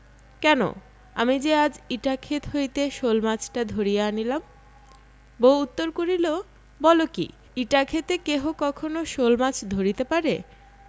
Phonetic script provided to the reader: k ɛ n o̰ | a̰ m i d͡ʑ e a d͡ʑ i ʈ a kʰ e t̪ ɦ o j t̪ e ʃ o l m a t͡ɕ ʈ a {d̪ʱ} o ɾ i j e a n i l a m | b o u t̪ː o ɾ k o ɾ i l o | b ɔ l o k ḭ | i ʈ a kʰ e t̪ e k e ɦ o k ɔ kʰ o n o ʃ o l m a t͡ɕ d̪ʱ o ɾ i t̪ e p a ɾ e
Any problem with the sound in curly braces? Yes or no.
no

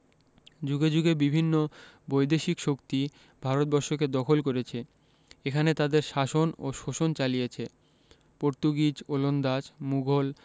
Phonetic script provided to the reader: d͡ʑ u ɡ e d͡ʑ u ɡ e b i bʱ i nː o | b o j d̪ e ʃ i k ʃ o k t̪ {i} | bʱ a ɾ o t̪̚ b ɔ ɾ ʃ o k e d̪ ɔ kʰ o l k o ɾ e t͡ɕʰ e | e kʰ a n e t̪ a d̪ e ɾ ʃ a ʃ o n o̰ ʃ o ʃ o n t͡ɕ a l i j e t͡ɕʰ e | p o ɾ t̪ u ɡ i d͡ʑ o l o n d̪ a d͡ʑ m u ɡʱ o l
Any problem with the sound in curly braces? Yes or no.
no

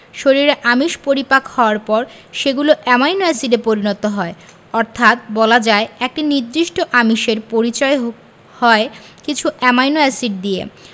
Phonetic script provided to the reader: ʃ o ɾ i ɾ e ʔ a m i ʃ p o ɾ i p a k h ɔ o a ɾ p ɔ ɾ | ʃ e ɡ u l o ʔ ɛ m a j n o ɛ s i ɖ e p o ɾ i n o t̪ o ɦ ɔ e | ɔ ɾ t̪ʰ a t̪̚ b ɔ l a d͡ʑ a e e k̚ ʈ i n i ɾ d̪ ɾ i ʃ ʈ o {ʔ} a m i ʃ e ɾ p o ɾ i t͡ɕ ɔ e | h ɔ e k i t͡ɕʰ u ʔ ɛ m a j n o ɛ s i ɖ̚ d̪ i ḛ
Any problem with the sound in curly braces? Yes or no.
no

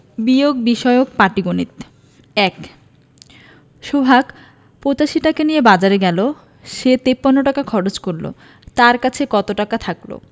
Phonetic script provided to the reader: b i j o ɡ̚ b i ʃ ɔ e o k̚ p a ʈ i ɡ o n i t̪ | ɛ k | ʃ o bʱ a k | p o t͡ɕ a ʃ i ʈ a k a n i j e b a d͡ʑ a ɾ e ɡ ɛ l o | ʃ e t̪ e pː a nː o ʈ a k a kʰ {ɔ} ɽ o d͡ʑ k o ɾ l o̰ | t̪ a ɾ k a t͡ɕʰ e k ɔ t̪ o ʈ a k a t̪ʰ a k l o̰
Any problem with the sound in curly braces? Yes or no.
no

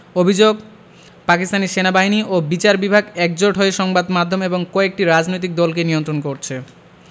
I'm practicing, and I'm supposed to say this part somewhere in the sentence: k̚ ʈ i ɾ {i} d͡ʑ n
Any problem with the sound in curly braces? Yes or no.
yes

